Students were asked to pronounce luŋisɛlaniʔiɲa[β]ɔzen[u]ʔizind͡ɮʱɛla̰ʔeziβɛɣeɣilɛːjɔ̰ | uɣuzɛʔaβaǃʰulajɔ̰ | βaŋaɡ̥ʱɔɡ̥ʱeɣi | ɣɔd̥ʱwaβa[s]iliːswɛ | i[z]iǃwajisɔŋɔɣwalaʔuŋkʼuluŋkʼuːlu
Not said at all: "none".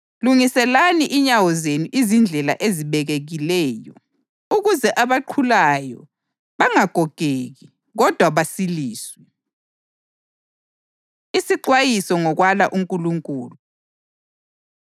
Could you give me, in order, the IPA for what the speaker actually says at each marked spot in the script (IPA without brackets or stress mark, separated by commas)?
w, u, s, s